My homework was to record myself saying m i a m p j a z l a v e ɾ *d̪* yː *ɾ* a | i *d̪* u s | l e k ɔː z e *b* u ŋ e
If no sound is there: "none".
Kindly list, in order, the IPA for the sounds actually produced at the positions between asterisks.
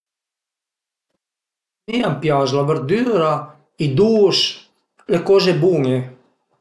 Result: d̪, ɾ, d̪, b

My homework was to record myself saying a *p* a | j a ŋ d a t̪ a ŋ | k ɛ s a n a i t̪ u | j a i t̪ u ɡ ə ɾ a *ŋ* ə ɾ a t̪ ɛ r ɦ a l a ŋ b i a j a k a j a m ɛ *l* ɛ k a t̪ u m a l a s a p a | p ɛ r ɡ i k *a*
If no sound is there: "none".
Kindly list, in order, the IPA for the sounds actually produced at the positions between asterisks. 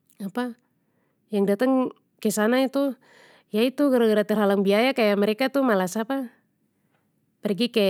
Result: p, ɡ, ɾ, ɛ

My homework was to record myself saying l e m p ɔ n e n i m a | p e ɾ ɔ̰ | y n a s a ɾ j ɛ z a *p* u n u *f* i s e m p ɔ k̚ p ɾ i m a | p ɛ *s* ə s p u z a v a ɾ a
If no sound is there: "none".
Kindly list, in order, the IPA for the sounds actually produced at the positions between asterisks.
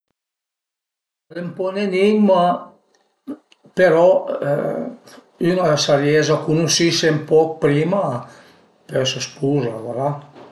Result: k, s, s

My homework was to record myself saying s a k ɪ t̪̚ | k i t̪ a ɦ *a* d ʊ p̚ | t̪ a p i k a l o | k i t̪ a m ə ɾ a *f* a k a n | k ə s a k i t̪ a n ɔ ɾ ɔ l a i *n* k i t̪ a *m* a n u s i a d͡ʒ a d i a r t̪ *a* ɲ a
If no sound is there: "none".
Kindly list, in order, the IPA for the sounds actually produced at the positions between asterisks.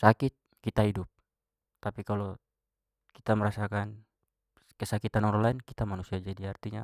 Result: i, s, n, m, i

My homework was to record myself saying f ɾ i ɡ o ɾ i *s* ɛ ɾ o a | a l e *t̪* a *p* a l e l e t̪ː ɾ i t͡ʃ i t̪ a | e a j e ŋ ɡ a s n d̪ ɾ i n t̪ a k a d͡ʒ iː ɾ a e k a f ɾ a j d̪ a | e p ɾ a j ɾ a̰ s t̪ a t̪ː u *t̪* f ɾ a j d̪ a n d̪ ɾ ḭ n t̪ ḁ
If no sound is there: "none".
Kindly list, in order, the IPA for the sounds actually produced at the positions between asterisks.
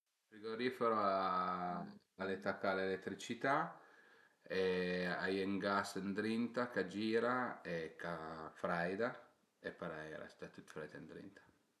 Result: f, t̪, k, t̪

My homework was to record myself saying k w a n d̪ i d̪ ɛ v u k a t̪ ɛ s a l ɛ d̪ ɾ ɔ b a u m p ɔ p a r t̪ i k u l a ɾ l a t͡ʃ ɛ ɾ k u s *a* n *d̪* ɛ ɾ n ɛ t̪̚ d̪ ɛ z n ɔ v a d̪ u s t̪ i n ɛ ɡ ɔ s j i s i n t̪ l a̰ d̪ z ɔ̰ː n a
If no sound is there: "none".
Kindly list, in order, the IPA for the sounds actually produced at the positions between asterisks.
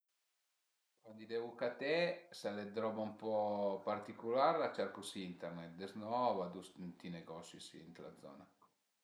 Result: i, t̪

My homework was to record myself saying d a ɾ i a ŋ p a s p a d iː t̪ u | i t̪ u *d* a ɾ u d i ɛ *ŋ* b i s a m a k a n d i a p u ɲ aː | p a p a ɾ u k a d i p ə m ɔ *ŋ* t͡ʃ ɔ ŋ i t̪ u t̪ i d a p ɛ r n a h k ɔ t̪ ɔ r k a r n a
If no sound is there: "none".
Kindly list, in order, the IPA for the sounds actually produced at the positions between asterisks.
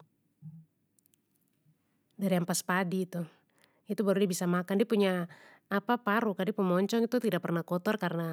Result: b, none, ɲ

